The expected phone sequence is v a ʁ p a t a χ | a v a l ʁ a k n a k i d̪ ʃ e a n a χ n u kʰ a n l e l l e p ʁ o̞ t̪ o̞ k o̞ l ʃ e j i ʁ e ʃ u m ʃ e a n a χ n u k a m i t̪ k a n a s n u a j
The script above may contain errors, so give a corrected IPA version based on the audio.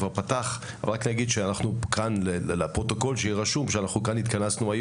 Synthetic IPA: v a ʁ p a t a χ | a v a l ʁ a k n a ɡ i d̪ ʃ e a n a χ n u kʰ a n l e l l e p ʁ o̞ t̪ o̞ k o̞ l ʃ e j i ʁ a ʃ u m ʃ e a n a χ n u k a n i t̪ k a n a s n u a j